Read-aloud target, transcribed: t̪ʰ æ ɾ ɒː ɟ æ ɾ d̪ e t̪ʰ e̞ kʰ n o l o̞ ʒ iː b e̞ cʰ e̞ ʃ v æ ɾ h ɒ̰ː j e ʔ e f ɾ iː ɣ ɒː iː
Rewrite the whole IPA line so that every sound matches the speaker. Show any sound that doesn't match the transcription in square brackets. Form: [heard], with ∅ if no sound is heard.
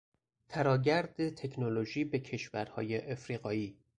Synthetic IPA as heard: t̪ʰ æ ɾ ɒː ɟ æ ɾ d̪ e t̪ʰ e̞ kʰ n o l o̞ ʒ iː b e̞ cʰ e̞ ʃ v æ ɾ h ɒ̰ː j e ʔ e f ɾ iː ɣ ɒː iː